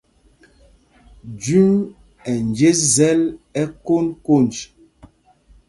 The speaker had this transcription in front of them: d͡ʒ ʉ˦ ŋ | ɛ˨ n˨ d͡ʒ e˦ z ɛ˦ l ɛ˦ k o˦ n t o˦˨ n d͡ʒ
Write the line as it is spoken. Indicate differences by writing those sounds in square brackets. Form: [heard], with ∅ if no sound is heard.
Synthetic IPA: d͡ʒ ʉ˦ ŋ | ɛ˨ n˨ d͡ʒ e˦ z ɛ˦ l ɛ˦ k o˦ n [k] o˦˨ n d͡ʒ